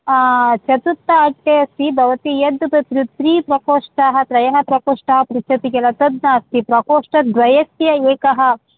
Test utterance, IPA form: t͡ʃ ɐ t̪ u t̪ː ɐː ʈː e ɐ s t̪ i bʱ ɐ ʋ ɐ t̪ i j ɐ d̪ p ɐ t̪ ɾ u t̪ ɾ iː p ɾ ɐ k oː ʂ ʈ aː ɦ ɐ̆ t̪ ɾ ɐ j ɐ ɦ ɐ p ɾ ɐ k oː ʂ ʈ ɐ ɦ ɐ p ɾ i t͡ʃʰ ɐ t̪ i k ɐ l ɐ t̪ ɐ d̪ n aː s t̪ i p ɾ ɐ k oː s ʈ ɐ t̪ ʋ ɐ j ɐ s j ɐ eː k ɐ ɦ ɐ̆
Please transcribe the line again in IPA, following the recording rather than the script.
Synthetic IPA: t͡ʃ ɐ t̪ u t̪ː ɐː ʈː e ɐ s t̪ i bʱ ɐ ʋ ɐ t̪ i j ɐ d̪ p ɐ t̪ ɾ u t̪ ɾ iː p ɾ ɐ k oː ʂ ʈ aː ɦ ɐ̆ t̪ ɾ ɐ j ɐ ɦ ɐ p ɾ ɐ k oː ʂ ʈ ɐ ɦ ɐ p ɾ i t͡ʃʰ ɐ t̪ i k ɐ l ɐ t̪ ɐ d̪ n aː s t̪ i p ɾ ɐ k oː ʂ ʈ ɐ d̪ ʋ ɐ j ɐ s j ɐ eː k ɐ ɦ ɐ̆